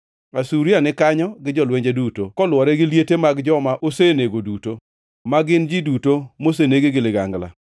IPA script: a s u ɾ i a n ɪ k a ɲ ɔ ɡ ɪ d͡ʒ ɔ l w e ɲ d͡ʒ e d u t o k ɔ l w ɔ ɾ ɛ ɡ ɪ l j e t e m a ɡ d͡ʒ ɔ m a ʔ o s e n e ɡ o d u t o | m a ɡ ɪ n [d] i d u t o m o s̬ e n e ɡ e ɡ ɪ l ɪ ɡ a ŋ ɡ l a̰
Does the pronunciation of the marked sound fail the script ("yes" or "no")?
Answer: yes